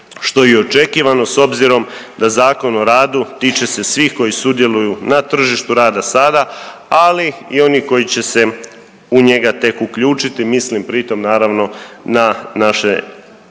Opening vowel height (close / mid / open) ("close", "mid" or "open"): mid